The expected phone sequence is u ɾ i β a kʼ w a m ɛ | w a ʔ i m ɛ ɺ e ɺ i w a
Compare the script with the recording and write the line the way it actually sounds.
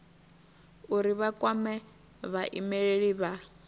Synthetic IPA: u ɾ i β a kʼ w a m ɛ | β a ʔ i m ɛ ɺ e ɺ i β a